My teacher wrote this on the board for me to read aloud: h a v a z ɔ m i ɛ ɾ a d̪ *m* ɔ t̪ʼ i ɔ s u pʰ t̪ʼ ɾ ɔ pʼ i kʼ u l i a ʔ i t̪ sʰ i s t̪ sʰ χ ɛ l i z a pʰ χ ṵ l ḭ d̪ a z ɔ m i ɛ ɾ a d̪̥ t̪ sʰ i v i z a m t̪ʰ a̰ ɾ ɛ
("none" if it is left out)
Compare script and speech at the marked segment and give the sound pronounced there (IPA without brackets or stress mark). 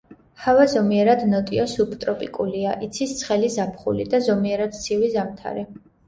n